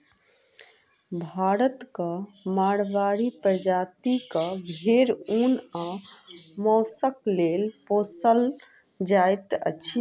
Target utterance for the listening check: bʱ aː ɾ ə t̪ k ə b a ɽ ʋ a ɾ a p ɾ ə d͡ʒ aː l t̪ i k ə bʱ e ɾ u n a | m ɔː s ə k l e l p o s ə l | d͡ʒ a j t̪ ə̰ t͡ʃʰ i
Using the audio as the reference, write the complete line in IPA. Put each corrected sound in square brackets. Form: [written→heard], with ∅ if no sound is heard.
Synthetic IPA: bʱ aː ɾ ə t̪ k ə [b→m] a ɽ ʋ a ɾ [a→i] p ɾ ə d͡ʒ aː [l→∅] t̪ i k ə bʱ e ɾ u n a | m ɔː s ə k l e l p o s ə l | d͡ʒ a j t̪ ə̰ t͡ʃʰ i